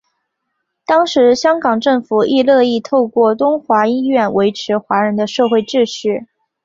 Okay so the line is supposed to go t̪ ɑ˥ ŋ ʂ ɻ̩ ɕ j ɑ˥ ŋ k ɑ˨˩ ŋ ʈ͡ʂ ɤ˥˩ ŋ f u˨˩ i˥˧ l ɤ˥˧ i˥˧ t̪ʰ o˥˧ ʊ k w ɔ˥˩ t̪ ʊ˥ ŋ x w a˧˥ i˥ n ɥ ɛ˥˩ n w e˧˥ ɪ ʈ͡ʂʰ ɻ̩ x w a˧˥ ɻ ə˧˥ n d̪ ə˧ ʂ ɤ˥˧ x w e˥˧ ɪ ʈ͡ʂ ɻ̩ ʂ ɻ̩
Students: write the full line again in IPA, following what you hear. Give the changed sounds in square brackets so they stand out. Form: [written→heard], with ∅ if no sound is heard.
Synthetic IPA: t̪ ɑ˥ ŋ ʂ ɻ̩ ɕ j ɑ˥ ŋ k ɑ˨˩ ŋ ʈ͡ʂ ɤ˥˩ ŋ f u˨˩ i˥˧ l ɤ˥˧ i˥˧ t̪ʰ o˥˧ ʊ k w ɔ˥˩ t̪ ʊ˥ ŋ x w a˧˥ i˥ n ɥ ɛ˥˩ n w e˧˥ ɪ ʈ͡ʂʰ ɻ̩ x w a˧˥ ɻ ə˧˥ n d̪ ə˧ ʂ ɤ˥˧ x w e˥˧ ɪ ʈ͡ʂ ɻ̩ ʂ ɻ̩